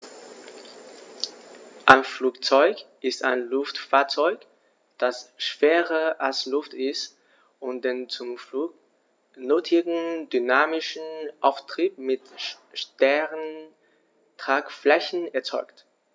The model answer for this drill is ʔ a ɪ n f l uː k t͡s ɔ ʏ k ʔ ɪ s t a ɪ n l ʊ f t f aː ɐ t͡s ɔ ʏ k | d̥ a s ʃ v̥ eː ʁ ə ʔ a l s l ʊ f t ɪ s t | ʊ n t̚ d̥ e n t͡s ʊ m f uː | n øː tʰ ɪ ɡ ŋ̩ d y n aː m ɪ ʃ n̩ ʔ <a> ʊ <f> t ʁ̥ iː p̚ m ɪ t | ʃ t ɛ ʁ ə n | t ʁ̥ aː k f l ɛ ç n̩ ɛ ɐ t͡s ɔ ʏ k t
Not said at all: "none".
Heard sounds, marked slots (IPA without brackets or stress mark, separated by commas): a, f